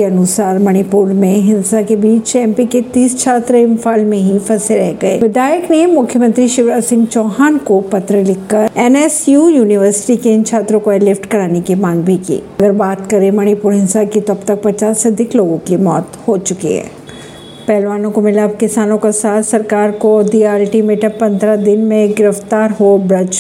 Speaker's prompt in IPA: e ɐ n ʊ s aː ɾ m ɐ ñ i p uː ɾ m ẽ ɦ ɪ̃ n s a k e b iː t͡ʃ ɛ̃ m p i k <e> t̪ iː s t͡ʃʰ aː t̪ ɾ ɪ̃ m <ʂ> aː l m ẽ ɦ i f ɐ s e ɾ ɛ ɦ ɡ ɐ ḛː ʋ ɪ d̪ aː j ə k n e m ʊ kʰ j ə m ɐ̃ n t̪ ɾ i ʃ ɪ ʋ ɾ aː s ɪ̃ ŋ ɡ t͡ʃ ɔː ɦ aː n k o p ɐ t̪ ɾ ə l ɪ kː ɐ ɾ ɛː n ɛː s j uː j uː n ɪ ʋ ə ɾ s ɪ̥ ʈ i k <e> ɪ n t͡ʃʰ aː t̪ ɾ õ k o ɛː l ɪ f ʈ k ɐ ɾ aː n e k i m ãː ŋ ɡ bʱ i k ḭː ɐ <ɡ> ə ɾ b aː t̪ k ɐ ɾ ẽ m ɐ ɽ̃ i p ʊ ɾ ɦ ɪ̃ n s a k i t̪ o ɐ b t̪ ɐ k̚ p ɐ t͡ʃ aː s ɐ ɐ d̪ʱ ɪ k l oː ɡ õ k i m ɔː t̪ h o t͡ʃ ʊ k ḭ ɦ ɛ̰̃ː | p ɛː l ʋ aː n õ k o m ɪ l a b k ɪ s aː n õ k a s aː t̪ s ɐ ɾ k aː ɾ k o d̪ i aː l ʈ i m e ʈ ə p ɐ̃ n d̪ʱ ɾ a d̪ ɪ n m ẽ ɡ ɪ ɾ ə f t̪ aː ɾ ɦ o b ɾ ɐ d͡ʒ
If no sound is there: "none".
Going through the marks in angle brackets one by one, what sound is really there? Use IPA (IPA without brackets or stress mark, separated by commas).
e, f, e, ɡ